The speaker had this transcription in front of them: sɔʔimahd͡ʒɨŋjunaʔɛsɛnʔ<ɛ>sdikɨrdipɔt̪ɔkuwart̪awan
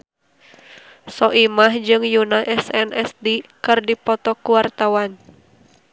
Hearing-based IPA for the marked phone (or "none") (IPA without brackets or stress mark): ɛ